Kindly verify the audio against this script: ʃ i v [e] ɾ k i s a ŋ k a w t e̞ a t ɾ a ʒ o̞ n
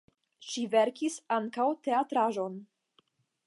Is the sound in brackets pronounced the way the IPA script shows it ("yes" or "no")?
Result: yes